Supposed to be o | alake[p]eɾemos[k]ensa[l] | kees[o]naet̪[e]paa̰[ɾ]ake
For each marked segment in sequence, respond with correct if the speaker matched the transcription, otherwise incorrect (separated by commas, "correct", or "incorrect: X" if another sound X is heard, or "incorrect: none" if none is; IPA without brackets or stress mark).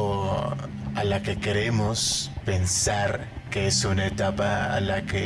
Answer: incorrect: k, incorrect: p, incorrect: ɾ, incorrect: u, incorrect: a, incorrect: l